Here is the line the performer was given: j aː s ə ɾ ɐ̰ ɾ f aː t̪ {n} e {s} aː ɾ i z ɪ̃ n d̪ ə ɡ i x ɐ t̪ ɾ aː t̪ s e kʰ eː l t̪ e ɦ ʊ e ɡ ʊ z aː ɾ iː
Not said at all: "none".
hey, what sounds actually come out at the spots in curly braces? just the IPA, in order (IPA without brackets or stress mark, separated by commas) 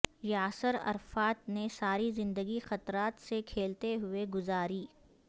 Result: n, s